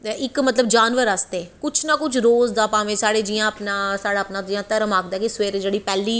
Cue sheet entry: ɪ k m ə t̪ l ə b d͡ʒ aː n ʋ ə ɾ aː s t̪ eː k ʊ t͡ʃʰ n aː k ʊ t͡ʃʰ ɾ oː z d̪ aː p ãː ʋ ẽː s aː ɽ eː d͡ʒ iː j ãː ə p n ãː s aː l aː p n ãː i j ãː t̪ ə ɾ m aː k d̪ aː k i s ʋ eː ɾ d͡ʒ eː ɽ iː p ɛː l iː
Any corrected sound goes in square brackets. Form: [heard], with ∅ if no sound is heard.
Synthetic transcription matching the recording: ɪ k m ə t̪ l ə b d͡ʒ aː n ʋ ə ɾ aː s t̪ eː k ʊ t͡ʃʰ n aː k ʊ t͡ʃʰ ɾ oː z d̪ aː p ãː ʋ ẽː s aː ɽ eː d͡ʒ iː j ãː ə p n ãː s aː [ɽ] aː p n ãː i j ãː t̪ ə ɾ m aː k d̪ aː k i s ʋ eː ɾ d͡ʒ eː ɽ iː p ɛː l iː